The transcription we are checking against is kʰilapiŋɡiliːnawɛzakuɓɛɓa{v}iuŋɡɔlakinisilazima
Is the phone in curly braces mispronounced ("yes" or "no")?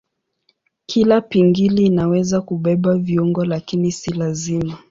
no